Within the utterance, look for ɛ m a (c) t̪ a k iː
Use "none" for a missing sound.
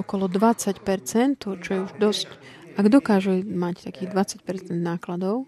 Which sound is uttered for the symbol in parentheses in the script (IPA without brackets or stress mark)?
c